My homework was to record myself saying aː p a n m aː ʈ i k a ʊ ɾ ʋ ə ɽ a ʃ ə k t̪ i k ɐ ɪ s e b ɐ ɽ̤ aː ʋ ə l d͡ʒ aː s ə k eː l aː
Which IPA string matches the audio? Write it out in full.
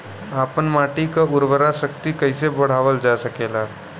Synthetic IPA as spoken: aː p ə n m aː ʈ i k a ʊ ɾ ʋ ə ɾ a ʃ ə k t̪ i k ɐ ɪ s e b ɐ ɽ̤ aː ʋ ə l d͡ʒ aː s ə k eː l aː